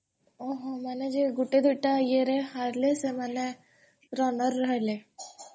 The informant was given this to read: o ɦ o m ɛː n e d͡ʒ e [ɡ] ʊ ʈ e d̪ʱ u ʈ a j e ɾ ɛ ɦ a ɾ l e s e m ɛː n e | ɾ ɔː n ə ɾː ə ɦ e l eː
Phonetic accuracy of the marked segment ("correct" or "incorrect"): correct